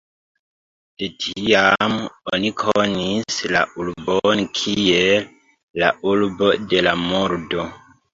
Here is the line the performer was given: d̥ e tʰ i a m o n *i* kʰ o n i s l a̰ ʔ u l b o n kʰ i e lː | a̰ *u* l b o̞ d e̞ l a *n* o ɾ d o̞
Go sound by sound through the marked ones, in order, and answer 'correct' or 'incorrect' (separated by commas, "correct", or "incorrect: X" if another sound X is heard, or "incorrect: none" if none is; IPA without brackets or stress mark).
correct, correct, incorrect: m